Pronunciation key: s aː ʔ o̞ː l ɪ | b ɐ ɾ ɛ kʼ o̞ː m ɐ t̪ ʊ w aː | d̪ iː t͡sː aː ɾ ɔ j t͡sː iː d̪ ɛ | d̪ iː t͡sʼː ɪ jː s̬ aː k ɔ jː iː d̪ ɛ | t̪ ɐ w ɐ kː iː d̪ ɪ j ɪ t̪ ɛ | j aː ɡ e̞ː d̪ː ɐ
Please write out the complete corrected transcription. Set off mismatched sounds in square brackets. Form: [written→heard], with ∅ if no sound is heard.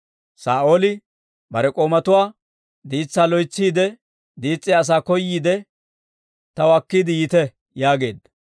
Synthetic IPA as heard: s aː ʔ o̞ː l ɪ | b ɐ ɾ ɛ kʼ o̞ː m ɐ t̪ ʊ w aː | d̪ iː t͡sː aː [ɾ→l] ɔ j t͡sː iː d̪ ɛ | d̪ iː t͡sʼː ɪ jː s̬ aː k ɔ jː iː d̪ ɛ | t̪ ɐ w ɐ kː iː d̪ ɪ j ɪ t̪ ɛ | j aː ɡ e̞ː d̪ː ɐ